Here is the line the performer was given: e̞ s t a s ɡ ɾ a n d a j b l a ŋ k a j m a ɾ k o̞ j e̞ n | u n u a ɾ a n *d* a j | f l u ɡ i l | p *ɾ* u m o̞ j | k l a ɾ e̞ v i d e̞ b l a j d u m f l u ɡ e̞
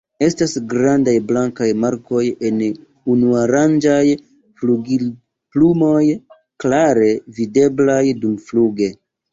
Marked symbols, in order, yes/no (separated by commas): no, no